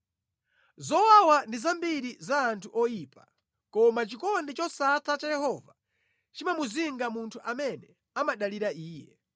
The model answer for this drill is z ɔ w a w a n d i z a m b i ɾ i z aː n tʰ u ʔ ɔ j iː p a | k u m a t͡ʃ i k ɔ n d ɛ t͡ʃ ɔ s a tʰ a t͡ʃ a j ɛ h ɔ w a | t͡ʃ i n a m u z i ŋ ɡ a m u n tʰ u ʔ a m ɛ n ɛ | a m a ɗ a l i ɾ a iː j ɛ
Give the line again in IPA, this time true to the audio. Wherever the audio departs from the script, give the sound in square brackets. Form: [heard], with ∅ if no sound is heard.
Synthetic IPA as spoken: z ɔ w a w a n d i z a m b i ɾ i z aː n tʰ u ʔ ɔ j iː p a | k [ɔ] m a t͡ʃ i k ɔ n d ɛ t͡ʃ ɔ s a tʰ a t͡ʃ a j ɛ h ɔ [v] a | t͡ʃ i [m] a m u z i ŋ ɡ a m u n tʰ u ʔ a m ɛ n ɛ | a m a ɗ a l i ɾ a iː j ɛ

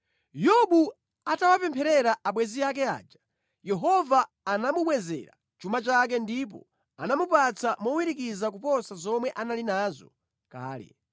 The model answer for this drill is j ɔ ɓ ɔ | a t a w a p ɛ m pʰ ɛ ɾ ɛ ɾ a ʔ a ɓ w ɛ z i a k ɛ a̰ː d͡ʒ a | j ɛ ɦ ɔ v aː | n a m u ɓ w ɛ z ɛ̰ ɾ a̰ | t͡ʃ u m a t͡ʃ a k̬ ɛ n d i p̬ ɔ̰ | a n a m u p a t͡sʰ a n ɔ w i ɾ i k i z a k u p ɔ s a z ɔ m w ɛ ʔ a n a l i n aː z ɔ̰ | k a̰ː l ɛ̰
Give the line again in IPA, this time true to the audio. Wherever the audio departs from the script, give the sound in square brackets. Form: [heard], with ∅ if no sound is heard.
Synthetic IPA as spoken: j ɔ ɓ [u] | a t a w a p ɛ m pʰ ɛ ɾ ɛ ɾ a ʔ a ɓ w ɛ z i a k ɛ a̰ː d͡ʒ a | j ɛ ɦ ɔ v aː | n a m u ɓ w ɛ z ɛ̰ ɾ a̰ | t͡ʃ u m a t͡ʃ a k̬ ɛ n d i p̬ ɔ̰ | a n a m u p a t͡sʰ a [m] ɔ w i ɾ i k i z a k u p ɔ s a z ɔ m w ɛ ʔ a n a l i n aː z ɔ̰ | k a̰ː l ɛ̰

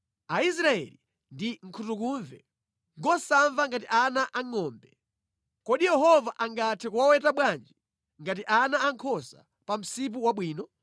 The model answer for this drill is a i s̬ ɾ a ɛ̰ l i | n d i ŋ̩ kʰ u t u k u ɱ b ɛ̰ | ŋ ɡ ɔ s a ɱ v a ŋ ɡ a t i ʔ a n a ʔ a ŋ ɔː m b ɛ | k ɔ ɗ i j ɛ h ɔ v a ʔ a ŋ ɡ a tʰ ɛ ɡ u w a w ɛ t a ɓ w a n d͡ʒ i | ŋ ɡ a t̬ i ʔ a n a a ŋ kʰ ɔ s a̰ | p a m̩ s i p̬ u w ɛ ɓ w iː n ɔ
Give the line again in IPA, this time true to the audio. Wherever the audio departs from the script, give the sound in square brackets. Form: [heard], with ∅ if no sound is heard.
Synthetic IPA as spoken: a i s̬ ɾ a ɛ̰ l i | n d i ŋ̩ kʰ u t u k u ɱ [v] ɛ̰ | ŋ ɡ ɔ s a ɱ v a ŋ ɡ a t i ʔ a n a ʔ a ŋ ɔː m b ɛ | k ɔ ɗ i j ɛ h ɔ v a ʔ a ŋ ɡ a tʰ ɛ [k] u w a w ɛ t a ɓ w a n d͡ʒ i | ŋ ɡ a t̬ i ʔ a n a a ŋ kʰ ɔ s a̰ | p a m̩ s i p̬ u w [a] ɓ w iː n ɔ

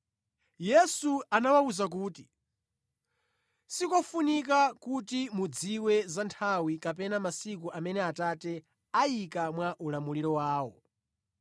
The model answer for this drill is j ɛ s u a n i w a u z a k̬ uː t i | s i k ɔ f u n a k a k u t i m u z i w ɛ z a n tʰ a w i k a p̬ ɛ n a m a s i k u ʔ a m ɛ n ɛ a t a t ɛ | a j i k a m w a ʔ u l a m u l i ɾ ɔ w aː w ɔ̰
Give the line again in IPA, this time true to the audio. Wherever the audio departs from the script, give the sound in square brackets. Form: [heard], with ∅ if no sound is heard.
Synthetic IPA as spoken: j ɛ s u a n [a] w a u z a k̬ uː t i | s i k ɔ f u n [i] k a k u t i m u [d͡z] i w ɛ z a n tʰ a w i k a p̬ ɛ n a m a s i k u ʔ a m ɛ n ɛ a t a t ɛ | a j i k a m w a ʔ u l a m u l i ɾ ɔ w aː w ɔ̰

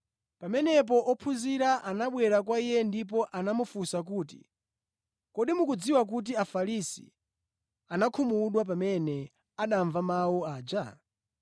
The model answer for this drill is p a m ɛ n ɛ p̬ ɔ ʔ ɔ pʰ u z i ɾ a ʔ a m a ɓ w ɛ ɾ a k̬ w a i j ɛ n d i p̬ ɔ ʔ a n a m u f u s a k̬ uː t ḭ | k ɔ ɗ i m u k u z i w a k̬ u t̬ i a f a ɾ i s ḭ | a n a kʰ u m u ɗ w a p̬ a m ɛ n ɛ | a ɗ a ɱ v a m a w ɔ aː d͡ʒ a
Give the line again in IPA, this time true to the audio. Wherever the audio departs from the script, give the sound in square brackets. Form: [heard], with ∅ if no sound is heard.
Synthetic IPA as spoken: p a m ɛ n ɛ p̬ ɔ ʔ ɔ pʰ u z i ɾ a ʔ a [n] a ɓ w ɛ ɾ a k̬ w a i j ɛ n d i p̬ ɔ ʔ a n a m u f u s a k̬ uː t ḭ | k ɔ ɗ i m u k u [d͡z] i w a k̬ u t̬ i a f a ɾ i s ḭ | a n a kʰ u m u ɗ w a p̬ a m ɛ n ɛ | a ɗ a ɱ v a m a w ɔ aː d͡ʒ a

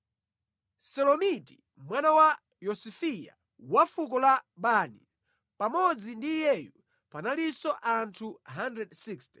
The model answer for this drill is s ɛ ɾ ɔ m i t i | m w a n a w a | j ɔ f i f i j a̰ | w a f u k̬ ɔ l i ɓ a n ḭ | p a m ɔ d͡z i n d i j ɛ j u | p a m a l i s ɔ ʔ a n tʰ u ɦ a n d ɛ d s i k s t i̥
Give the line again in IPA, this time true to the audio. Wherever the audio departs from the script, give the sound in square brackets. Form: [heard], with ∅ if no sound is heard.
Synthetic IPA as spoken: s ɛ [l] ɔ m i t i | m w a n a w a | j ɔ [s] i f i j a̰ | w a f u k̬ ɔ l [a] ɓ a n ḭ | p a m ɔ d͡z i n d i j ɛ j u | p a [n] a l i s ɔ ʔ a n tʰ u ɦ a n d ɛ d s i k s t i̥

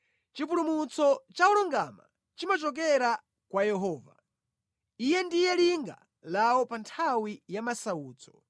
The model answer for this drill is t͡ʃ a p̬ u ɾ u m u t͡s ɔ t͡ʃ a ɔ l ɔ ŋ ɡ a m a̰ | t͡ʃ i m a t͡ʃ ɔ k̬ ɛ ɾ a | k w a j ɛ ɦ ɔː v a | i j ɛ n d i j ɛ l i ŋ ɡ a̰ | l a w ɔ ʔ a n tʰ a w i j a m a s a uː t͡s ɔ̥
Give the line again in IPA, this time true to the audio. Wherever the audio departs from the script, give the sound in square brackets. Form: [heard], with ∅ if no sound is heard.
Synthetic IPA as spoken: t͡ʃ [i] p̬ u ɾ u m u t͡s ɔ t͡ʃ a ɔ l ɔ ŋ ɡ a m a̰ | t͡ʃ i m a t͡ʃ ɔ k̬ ɛ ɾ a | k w a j ɛ ɦ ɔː v a | i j ɛ n d i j ɛ l i ŋ ɡ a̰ | l a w ɔ [p] a n tʰ a w i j a m a s a uː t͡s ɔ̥

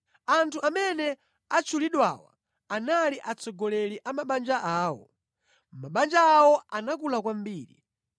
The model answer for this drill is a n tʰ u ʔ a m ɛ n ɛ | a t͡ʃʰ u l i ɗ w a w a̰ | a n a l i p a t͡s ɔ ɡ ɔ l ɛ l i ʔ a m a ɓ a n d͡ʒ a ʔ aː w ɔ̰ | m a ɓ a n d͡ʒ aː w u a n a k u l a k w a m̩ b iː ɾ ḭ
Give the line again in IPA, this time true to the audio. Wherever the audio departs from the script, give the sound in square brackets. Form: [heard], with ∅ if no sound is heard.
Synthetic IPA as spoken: a n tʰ u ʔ a m ɛ n ɛ | a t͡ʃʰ u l i ɗ w a w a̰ | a n a l i [ʔ] a t͡s ɔ ɡ ɔ l ɛ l i ʔ a m a ɓ a n d͡ʒ a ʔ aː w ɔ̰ | m a ɓ a n d͡ʒ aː w [ɔ] a n a k u l a k w a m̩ b iː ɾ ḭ

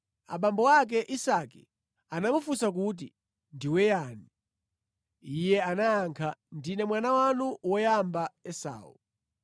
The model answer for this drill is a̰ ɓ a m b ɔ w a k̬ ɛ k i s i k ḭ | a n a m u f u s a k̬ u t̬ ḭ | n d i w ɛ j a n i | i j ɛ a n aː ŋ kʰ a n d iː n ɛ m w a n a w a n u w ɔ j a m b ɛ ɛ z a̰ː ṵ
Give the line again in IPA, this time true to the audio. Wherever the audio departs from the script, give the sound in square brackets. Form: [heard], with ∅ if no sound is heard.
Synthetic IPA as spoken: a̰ ɓ a m b ɔ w a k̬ ɛ [ʔ] i s [a] k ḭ | a n a m u f u s a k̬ u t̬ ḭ | n d i w ɛ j a n i | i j ɛ a n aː ŋ kʰ a n d [i] n ɛ m w a n a w a n u w ɔ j a m b [a] ɛ [s] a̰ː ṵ

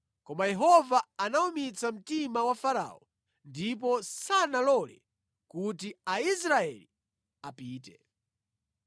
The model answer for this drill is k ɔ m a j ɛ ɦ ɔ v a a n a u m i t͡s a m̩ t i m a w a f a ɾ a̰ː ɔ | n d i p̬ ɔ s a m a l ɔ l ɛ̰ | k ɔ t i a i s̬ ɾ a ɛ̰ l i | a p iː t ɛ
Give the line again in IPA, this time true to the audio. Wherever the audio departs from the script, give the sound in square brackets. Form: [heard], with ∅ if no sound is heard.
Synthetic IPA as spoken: k ɔ m a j ɛ ɦ ɔ v a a n a u m i t͡s a m̩ t i m a w a f a ɾ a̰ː ɔ | n d i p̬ ɔ s a [n] a l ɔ l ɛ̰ | k [u] t i a i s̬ ɾ a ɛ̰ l i | a p iː t ɛ

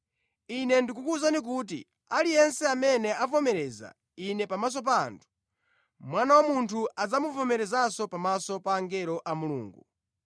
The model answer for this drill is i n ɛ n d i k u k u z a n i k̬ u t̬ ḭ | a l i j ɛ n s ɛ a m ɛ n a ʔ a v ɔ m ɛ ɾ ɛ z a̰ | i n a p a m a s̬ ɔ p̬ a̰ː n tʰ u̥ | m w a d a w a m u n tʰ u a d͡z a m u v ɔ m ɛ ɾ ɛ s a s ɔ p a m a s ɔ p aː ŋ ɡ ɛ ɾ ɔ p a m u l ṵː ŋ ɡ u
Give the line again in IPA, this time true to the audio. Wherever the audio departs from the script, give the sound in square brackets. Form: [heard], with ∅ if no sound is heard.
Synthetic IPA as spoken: i n ɛ n d i k u k u z a n i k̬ u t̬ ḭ | a l i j ɛ n s ɛ a m ɛ n [ɛ] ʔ a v ɔ m ɛ ɾ ɛ z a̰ | i n [ɛ] p a m a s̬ ɔ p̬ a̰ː n tʰ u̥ | m w a [n] a w a m u n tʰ u a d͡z a m u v ɔ m ɛ ɾ ɛ [z] a s ɔ p a m a s ɔ p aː ŋ ɡ ɛ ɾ ɔ [ʔ] a m u l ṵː ŋ ɡ u

